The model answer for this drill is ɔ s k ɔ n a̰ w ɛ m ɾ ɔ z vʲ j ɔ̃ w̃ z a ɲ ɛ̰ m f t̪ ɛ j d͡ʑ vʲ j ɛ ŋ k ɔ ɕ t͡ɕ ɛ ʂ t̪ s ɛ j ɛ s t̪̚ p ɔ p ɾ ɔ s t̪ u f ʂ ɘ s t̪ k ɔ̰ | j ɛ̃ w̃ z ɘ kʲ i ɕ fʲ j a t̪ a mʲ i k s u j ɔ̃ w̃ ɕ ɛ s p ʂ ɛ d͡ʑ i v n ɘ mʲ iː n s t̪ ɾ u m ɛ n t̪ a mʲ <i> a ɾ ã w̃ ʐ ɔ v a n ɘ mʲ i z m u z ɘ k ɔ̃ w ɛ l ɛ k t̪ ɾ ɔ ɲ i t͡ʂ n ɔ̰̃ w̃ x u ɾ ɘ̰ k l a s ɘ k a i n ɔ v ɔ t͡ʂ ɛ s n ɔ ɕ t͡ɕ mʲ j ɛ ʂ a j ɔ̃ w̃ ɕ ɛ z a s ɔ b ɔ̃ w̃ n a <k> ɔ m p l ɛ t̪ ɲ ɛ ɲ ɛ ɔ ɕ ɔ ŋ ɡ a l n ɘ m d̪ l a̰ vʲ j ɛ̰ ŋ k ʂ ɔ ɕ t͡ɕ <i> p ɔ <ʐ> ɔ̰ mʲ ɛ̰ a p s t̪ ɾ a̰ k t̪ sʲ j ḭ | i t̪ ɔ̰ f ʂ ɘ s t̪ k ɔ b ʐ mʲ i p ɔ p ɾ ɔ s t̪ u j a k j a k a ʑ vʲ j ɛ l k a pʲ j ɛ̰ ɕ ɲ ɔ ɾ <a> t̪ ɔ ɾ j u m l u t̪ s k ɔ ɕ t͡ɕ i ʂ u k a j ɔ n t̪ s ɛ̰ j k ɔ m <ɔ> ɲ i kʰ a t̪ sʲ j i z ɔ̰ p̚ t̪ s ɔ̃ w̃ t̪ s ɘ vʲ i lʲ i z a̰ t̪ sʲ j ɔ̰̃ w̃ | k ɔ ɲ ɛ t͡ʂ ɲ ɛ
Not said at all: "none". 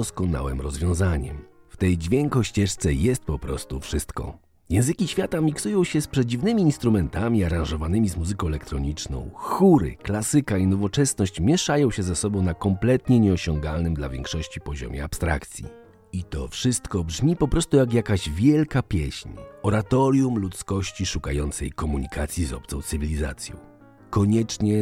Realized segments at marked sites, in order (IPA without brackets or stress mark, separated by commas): i, k, i, ʑ, a, u